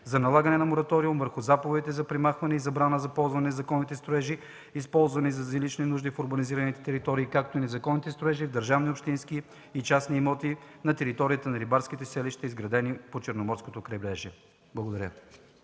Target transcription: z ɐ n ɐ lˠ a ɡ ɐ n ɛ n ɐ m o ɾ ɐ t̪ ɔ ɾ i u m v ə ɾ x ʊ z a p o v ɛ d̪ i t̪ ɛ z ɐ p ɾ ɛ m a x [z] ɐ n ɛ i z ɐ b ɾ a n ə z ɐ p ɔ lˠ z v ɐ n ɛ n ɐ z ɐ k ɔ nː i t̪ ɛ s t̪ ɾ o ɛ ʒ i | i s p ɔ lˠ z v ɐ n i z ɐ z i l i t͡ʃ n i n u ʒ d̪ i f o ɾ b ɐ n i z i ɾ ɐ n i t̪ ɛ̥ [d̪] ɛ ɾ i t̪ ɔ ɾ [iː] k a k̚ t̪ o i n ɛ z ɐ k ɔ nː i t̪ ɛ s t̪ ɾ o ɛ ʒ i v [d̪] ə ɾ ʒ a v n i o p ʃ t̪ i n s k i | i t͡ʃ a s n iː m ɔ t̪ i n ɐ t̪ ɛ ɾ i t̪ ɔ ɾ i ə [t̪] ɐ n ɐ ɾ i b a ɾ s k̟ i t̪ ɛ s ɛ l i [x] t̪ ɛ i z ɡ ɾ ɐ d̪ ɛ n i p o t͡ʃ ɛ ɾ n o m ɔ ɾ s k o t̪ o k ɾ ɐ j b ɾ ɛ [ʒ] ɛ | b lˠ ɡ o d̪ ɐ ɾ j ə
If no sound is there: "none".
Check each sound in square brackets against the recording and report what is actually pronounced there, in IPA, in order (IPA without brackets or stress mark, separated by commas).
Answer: v, t̪, iː, d̪, t̪, ʃ, ʒ